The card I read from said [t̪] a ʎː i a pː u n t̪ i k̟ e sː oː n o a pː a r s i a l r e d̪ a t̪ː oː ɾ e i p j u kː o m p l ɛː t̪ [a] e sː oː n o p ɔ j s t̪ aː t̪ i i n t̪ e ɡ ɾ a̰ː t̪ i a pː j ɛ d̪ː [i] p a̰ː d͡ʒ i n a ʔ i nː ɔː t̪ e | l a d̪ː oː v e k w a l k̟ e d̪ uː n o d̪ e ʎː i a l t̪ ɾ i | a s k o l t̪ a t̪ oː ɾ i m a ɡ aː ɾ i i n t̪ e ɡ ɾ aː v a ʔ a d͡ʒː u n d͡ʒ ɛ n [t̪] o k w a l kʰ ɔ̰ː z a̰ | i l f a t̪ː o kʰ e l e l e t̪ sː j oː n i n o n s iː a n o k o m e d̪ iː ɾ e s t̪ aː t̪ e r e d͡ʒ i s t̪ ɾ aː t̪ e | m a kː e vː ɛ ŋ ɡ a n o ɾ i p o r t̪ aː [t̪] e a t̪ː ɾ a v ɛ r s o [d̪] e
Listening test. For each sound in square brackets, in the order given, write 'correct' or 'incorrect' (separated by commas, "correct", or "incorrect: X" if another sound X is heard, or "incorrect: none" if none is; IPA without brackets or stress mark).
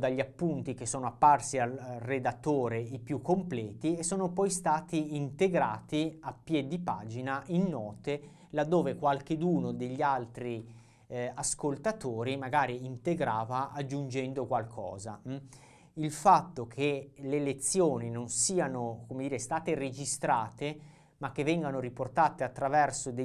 incorrect: d̪, incorrect: i, correct, incorrect: d̪, correct, correct